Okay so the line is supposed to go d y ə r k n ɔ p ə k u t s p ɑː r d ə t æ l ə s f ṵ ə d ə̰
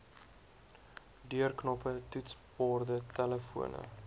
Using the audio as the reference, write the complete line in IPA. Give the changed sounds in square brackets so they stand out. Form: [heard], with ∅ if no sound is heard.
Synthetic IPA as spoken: d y ə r k n ɔ p ə [t] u t s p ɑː r d ə t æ l ə [∅] f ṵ ə [n] ə̰